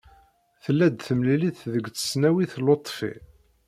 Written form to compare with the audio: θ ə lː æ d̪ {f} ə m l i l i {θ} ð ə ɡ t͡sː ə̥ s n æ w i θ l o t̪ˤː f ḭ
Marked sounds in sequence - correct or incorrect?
incorrect: θ, correct

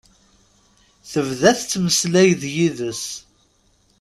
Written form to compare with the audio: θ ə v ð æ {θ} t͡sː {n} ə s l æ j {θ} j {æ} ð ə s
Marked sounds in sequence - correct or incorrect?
correct, incorrect: m, incorrect: ð, incorrect: i

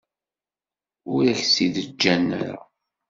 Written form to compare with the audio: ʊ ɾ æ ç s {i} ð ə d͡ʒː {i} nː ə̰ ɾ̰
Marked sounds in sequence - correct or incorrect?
correct, incorrect: æ

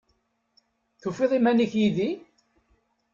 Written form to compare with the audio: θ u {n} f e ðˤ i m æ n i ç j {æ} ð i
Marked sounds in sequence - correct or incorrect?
incorrect: none, incorrect: i

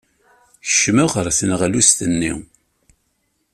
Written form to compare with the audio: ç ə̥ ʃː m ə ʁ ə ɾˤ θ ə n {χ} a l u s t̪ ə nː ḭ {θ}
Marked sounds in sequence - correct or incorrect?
incorrect: ʁ, incorrect: none

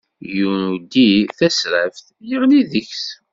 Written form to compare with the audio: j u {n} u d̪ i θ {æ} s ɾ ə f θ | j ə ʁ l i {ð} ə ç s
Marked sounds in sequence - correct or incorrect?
correct, correct, correct

